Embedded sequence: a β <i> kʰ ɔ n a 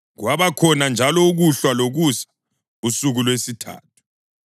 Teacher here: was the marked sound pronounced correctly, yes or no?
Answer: no